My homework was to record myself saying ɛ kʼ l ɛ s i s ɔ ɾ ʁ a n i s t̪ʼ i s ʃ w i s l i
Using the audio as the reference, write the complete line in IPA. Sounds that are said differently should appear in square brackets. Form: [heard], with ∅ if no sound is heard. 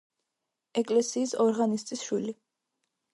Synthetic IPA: ɛ kʼ l ɛ s [iː] s ɔ ɾ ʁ a n i s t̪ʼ i s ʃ w i [∅] l i